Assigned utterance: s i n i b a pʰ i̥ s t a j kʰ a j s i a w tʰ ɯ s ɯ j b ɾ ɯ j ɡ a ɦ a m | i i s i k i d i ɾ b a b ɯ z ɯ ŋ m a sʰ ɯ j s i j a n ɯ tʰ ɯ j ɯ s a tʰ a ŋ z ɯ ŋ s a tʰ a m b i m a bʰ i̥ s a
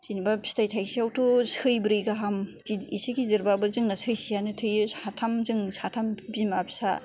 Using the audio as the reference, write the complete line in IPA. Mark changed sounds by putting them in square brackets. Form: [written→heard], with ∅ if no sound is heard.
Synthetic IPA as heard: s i n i b a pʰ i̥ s t a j [kʰ→tʰ] a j s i a w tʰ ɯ s ɯ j b ɾ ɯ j ɡ a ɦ a m | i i s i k i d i ɾ b a b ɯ z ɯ ŋ [m→n] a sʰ ɯ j s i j a n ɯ tʰ ɯ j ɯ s a tʰ a [ŋ→m] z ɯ ŋ s a tʰ a m b i m a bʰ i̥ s a